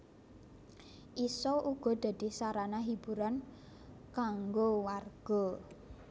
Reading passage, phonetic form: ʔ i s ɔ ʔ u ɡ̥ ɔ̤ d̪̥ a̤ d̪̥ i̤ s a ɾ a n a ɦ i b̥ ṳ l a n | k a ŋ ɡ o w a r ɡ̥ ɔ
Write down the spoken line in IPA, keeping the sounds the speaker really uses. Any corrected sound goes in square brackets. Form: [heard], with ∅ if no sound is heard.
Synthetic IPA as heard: ʔ i s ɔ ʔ u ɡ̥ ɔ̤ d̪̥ a̤ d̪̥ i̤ s a ɾ a n a ɦ i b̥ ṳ [ɾ] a n | k a ŋ ɡ o w a r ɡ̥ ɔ